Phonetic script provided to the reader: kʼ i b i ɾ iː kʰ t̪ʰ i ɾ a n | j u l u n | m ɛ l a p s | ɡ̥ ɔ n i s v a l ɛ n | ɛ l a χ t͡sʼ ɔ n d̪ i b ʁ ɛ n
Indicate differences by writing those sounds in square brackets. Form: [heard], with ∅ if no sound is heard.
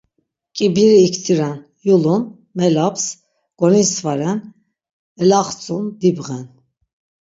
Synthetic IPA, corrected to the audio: kʼ i b i ɾ iː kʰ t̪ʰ i ɾ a n | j u l u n | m ɛ l a p s | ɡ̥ ɔ n i s v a [ɾ] ɛ n | ɛ l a χ t͡sʼ [u] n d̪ i b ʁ ɛ n